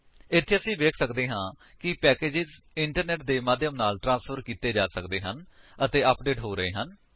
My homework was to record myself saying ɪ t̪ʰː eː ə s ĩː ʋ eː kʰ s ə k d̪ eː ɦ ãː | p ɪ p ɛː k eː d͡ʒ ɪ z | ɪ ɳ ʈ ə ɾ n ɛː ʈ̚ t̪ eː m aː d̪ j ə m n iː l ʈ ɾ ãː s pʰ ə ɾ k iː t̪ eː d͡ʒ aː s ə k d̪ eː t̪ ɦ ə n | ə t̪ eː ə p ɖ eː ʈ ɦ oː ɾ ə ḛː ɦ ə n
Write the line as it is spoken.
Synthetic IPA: ɪ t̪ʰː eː ə s ĩː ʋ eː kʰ s ə k d̪ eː ɦ ãː | k ɪ p ɛː k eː d͡ʒ ɪ z | ɪ ɳ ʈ ə ɾ n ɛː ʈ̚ d̪ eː m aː d̪ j ə m n aː l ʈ ɾ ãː s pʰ ə ɾ k iː t̪ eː d͡ʒ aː s ə k d̪ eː ɦ ə n | ə t̪ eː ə p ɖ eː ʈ ɦ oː ɾ ə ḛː ɦ ə n